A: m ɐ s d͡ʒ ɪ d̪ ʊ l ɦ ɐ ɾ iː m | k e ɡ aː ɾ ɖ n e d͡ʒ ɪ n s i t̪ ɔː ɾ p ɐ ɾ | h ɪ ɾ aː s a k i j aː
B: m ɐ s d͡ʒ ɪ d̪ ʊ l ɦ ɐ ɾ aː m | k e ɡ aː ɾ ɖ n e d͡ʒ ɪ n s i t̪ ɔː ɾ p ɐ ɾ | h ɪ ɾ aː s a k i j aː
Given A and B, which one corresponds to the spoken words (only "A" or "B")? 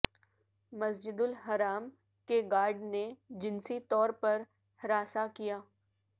B